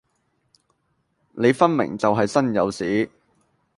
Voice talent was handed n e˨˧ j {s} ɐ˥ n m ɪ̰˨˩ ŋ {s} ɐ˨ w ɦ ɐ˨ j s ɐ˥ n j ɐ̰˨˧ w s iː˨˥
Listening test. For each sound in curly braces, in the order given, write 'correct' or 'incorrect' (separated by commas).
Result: incorrect, incorrect